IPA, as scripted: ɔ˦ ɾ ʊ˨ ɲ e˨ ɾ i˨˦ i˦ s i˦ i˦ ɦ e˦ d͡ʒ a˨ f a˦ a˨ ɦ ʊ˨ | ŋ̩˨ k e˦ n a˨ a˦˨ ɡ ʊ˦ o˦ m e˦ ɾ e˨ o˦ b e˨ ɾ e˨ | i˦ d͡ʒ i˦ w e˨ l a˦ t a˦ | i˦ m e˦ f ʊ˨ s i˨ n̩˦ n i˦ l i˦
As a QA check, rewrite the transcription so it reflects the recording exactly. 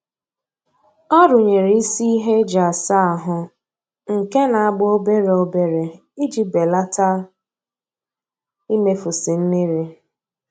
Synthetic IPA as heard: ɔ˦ ɾ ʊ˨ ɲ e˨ ɾ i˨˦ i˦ s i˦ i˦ ɦ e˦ d͡ʒ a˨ s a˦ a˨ ɦ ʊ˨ | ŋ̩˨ k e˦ n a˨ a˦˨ ɡ͡b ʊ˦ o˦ b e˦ ɾ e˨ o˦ b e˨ ɾ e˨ | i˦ d͡ʒ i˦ b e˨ l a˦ t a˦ | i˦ m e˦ f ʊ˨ s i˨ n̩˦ n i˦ ɾ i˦